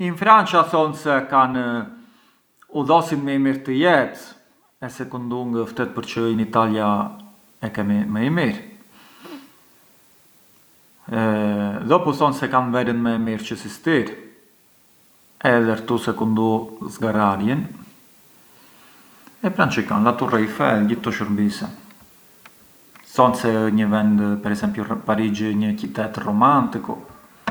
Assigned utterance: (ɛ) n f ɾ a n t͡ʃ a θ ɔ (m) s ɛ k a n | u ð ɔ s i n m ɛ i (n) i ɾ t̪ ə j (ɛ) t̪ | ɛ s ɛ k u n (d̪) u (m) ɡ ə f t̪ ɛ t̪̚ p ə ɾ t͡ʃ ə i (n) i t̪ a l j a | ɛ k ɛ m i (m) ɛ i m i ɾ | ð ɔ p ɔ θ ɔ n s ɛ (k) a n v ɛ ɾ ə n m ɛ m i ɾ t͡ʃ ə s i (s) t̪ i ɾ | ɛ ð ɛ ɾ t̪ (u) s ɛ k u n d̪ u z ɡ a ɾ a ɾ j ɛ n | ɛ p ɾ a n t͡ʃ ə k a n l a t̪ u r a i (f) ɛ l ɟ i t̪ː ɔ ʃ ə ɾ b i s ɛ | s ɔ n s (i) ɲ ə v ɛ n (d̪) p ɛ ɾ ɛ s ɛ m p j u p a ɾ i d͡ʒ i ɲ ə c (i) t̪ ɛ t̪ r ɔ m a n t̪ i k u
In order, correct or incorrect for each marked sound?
incorrect: i, incorrect: n, incorrect: m, correct, correct, incorrect: ŋ, correct, correct, correct, correct, correct, correct, incorrect: ɛ, correct, correct

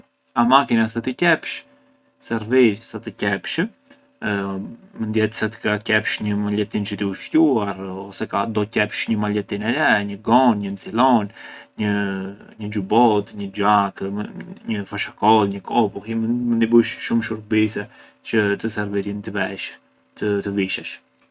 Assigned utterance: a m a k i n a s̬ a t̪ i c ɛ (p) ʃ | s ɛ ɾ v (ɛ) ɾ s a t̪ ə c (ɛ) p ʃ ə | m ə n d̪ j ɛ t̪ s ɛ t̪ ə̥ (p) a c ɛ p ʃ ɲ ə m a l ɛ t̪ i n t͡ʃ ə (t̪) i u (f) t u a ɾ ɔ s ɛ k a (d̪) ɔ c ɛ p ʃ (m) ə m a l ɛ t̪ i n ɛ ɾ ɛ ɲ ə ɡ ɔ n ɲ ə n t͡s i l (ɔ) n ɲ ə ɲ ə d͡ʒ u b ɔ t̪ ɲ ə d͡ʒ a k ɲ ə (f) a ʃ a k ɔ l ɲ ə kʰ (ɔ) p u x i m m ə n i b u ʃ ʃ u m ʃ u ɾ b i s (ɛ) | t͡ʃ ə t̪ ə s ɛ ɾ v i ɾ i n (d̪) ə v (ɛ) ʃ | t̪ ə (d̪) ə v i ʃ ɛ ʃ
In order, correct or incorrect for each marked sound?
correct, incorrect: i, correct, incorrect: k, correct, incorrect: ʃ, correct, incorrect: ɲ, correct, correct, correct, correct, incorrect: t̪, correct, incorrect: t̪

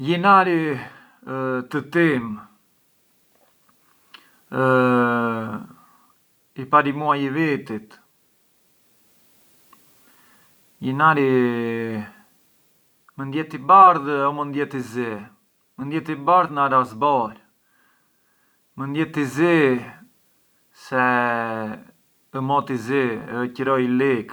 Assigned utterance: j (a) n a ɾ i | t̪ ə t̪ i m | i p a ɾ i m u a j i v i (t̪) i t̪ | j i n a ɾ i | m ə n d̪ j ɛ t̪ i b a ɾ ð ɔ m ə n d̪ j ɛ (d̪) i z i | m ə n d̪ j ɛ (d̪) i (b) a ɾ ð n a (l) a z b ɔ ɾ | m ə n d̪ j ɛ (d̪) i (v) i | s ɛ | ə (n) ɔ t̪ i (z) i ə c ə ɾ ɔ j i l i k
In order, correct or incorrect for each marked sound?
incorrect: i, correct, incorrect: t̪, incorrect: t̪, correct, incorrect: ɾ, incorrect: t̪, incorrect: z, incorrect: m, correct

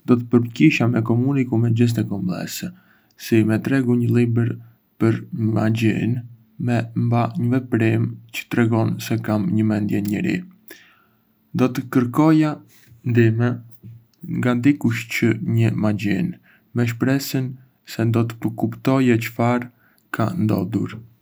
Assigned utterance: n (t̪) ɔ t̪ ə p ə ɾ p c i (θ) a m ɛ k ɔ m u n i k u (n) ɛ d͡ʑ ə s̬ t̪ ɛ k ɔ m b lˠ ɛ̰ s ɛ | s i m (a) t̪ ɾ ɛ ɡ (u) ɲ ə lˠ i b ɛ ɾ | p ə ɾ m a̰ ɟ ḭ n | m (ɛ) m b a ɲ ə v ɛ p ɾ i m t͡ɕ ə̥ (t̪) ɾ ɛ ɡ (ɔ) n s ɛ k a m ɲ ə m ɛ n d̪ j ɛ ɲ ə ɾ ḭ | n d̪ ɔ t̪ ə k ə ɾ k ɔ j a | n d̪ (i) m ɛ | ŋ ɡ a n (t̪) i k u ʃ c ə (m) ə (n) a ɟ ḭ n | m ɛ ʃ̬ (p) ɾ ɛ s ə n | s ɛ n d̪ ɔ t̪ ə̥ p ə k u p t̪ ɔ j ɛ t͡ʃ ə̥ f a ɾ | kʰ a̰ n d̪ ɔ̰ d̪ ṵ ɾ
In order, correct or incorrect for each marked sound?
incorrect: d̪, incorrect: ʃ, incorrect: m, incorrect: ɛ, correct, correct, correct, correct, correct, incorrect: d̪, incorrect: ɲ, incorrect: m, correct

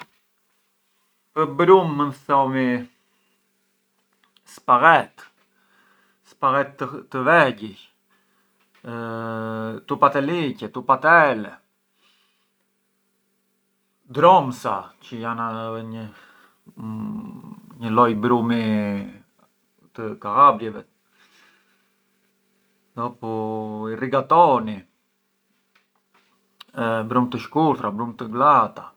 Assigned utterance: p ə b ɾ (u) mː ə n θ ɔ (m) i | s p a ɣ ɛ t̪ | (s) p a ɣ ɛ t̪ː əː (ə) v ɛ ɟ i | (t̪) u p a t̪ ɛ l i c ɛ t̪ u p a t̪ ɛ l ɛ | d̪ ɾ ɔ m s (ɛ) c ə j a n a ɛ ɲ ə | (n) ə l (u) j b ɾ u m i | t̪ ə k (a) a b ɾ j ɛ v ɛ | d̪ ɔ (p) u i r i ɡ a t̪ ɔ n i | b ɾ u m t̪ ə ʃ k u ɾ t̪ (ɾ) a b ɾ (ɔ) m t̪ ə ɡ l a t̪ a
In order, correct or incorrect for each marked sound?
correct, correct, correct, correct, correct, incorrect: a, incorrect: ɲ, incorrect: ɔ, correct, correct, correct, incorrect: u

